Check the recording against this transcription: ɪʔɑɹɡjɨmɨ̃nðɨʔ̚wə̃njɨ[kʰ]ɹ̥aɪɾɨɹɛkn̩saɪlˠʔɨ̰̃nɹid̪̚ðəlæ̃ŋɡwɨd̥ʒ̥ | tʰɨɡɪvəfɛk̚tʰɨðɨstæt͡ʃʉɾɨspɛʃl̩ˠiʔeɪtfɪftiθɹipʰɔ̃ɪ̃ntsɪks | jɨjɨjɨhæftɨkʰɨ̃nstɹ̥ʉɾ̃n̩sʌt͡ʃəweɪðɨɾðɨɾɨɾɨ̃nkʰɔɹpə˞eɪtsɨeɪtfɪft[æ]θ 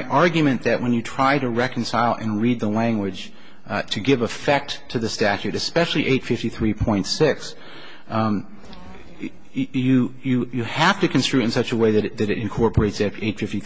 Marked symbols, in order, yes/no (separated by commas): no, no